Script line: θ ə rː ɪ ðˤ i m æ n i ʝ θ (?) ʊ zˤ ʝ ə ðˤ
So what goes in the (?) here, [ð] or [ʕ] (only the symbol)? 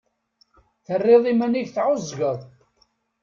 ʕ